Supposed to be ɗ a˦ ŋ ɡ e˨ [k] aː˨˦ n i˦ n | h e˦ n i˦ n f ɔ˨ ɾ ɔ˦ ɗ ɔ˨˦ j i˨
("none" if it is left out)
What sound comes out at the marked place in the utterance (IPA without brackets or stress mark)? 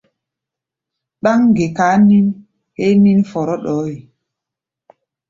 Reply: k